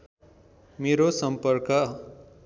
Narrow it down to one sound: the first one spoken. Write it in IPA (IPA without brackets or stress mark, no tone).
m